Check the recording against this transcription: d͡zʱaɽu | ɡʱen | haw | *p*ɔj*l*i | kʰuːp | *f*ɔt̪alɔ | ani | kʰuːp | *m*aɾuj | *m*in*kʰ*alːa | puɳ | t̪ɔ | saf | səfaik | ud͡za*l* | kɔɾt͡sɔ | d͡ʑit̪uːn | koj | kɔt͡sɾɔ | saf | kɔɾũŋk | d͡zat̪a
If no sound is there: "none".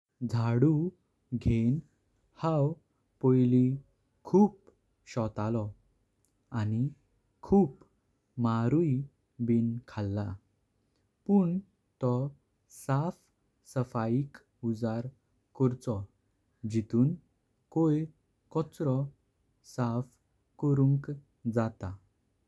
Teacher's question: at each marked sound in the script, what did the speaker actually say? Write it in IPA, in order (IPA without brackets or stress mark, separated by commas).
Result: p, l, ɕ, m, b, kʰ, ɾ